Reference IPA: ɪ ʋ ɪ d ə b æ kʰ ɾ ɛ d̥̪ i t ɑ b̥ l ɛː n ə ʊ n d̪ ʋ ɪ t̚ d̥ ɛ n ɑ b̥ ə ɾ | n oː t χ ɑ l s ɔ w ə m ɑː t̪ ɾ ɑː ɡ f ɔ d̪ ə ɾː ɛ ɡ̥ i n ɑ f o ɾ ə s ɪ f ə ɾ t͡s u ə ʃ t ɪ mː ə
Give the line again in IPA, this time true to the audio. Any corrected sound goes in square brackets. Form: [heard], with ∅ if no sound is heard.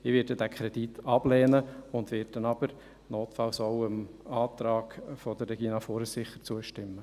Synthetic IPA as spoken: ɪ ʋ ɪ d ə [d] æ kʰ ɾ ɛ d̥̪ i t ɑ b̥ l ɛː n ə ʊ n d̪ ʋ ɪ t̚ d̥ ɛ n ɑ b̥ ə ɾ | n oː t [f] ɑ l s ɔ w ə m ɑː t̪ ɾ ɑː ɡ f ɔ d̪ ə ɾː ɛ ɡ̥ i n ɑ f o ɾ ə s ɪ [χ] ə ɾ t͡s u ə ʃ t ɪ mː ə